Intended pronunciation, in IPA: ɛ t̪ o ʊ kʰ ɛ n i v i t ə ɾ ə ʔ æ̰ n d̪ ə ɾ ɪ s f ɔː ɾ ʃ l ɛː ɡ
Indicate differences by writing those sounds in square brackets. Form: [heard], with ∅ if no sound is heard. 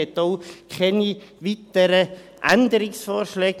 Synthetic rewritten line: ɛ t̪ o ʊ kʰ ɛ n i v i t ə ɾ ə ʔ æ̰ n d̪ ə ɾ ɪ s f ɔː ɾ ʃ l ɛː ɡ